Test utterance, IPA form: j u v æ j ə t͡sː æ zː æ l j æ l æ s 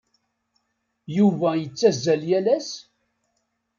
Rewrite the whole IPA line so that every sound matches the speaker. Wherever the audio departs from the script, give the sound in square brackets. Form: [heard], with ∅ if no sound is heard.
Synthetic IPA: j u v æ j ə t͡sː æ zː æ l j æ l æ s